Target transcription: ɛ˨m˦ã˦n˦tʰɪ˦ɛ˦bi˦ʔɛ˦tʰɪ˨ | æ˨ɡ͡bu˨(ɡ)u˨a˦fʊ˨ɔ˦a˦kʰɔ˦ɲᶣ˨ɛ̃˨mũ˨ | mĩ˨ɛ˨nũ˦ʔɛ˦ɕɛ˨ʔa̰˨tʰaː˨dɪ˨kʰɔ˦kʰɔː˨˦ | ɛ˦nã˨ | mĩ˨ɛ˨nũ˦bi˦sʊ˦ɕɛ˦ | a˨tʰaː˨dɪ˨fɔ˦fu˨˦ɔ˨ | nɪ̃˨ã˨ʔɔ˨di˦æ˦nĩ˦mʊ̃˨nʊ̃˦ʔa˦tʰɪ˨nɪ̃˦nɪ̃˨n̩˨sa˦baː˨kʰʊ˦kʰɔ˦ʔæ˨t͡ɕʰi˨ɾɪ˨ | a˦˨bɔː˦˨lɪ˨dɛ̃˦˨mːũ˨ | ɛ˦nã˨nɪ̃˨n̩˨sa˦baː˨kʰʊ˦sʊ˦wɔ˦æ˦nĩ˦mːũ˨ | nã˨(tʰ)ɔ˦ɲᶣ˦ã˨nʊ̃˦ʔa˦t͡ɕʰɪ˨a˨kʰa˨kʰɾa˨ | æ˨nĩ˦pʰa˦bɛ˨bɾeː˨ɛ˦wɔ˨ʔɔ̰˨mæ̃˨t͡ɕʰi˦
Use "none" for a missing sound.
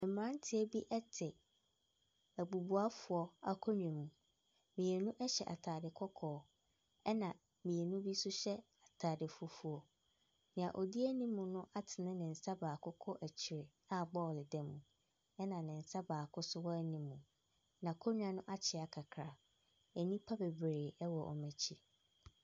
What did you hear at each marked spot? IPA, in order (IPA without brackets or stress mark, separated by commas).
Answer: b, kʰ